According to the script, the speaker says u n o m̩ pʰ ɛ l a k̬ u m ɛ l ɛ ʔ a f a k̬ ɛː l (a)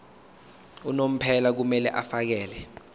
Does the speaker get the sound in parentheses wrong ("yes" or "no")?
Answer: yes